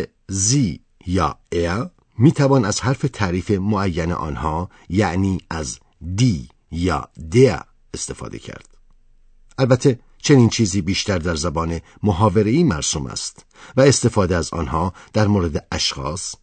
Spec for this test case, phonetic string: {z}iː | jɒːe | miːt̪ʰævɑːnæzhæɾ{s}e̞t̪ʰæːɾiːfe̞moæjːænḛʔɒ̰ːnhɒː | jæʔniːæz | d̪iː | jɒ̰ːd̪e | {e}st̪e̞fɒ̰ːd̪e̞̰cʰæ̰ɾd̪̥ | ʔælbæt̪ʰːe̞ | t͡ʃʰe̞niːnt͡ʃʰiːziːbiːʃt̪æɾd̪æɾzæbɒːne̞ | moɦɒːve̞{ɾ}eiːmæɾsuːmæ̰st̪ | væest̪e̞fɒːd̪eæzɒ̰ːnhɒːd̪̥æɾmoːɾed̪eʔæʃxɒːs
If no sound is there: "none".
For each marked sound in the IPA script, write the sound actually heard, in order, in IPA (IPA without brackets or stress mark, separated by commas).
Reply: z, f, e, ɾ